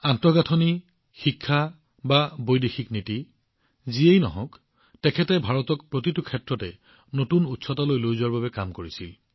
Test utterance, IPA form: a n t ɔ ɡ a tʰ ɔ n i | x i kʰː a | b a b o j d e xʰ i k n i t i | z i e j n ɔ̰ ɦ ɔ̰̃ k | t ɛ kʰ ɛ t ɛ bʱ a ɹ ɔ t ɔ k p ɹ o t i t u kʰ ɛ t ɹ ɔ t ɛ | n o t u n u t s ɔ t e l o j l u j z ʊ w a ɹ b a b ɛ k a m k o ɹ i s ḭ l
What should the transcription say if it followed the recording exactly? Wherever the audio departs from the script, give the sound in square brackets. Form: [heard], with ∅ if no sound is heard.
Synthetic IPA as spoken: a n t ɔ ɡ a tʰ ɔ n i | x i kʰː a | b a b o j d e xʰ i k n i t i | z i e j n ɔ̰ ɦ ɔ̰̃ k | t ɛ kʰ ɛ t ɛ bʱ a ɹ ɔ t ɔ k p ɹ o t i t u kʰ ɛ t ɹ ɔ t ɛ | n o t u n u t s ɔ t [a] l o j l [o] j z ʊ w a ɹ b a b ɛ k a m k o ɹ i s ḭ l

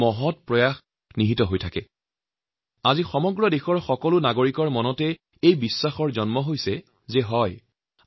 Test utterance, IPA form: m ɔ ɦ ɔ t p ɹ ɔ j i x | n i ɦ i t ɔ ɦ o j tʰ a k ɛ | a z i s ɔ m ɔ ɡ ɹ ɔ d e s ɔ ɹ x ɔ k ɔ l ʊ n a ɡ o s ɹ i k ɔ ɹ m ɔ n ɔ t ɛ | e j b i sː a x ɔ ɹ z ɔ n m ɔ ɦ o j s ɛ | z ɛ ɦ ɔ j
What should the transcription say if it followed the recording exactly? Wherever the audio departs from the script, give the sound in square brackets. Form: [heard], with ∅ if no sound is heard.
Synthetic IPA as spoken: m ɔ ɦ ɔ t p ɹ ɔ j [a] x | n i ɦ i t ɔ ɦ o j tʰ a k ɛ | a z i [x] ɔ m ɔ ɡ ɹ ɔ d e [x] ɔ ɹ x ɔ k ɔ l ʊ n a ɡ o [∅] ɹ i k ɔ ɹ m ɔ n ɔ t ɛ | e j b i sː a x ɔ ɹ z ɔ n m ɔ ɦ o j s ɛ | z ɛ ɦ ɔ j

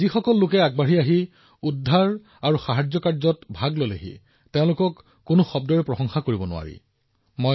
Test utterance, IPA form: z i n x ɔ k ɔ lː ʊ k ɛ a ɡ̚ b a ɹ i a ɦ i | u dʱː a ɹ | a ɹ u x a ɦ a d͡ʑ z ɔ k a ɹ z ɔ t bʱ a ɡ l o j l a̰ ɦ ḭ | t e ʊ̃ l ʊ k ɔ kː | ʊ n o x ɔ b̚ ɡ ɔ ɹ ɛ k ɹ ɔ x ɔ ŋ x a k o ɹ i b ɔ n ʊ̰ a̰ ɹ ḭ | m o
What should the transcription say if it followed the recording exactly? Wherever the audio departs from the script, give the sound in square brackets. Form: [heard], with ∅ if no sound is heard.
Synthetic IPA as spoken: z i [∅] x ɔ k ɔ lː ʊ k ɛ a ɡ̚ b a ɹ i a ɦ i | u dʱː a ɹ | a ɹ u x a ɦ a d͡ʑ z ɔ k a ɹ z ɔ t bʱ a ɡ l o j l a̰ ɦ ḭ | t e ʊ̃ l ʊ k ɔ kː | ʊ n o x ɔ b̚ [d] ɔ ɹ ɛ [p] ɹ ɔ x ɔ ŋ x a k o ɹ i b ɔ n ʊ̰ a̰ ɹ ḭ | m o

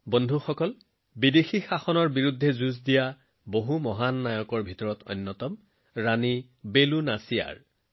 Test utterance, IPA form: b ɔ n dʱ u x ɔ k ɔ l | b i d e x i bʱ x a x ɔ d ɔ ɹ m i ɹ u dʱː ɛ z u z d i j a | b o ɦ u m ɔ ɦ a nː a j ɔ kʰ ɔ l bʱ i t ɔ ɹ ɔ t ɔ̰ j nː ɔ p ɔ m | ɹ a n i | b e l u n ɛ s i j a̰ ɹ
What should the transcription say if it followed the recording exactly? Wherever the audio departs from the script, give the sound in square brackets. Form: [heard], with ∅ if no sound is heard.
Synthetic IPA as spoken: b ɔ n dʱ u x ɔ k ɔ l | b i d e x i [∅] x a x ɔ [n] ɔ ɹ [b] i ɹ u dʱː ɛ z u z d i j a | b o ɦ u m ɔ ɦ a nː a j ɔ [k] ɔ [ɹ] bʱ i t ɔ ɹ ɔ t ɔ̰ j nː ɔ [t] ɔ m | ɹ a n i | b e l u n [a] s i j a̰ ɹ

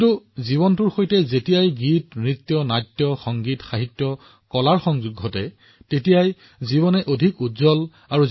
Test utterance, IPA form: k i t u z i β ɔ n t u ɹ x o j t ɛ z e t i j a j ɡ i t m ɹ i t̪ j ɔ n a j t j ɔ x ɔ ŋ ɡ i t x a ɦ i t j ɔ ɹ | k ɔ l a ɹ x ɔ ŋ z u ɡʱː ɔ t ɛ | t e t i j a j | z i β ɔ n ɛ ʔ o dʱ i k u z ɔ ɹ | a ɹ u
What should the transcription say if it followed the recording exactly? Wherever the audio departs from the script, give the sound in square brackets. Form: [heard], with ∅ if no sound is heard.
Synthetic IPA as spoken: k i t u z i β ɔ n t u ɹ x o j t ɛ z e t i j a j ɡ i t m ɹ i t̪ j ɔ n a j t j ɔ x ɔ ŋ ɡ i t x a ɦ i t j ɔ [∅] | k ɔ l a ɹ x ɔ ŋ z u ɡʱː ɔ t ɛ | t e t i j a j | z i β ɔ n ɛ ʔ o dʱ i k u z ɔ [l] | a ɹ u

